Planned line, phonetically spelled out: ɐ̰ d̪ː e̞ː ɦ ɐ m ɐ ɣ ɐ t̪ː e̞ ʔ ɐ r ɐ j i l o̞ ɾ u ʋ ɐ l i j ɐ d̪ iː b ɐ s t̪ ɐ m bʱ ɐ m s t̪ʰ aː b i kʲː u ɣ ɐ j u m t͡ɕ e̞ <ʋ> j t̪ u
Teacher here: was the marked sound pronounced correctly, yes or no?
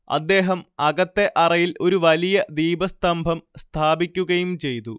no